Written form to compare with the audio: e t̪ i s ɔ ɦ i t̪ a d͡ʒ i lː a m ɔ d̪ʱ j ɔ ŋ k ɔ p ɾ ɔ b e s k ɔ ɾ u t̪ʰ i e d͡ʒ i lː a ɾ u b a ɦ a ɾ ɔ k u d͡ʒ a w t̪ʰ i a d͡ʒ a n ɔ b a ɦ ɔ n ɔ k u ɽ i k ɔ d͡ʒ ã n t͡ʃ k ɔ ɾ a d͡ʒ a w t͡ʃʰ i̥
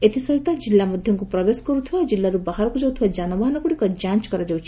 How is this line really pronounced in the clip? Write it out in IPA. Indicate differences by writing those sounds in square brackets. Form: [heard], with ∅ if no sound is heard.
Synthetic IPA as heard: e t̪ i s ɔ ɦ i t̪ a d͡ʒ i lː a m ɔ d̪ʱ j ɔ ŋ k [u] p ɾ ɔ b e s k ɔ ɾ u t̪ʰ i [a] d͡ʒ i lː a ɾ u b a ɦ a ɾ ɔ k u d͡ʒ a w t̪ʰ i a d͡ʒ a n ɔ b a ɦ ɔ n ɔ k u ɽ i k ɔ d͡ʒ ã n t͡ʃ k ɔ ɾ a d͡ʒ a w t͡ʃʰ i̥